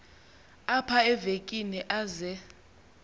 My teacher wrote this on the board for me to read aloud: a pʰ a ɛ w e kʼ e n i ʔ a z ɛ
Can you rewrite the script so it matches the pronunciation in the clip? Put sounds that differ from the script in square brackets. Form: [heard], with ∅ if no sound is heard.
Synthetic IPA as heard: a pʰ a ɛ [v] e kʼ [i] n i ʔ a z ɛ